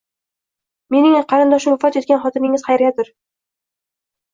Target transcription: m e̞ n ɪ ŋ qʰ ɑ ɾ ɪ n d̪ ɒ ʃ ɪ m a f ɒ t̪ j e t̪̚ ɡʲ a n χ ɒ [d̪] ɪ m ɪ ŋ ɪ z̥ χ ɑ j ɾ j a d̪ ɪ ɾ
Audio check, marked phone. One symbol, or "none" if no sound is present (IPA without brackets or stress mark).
t̪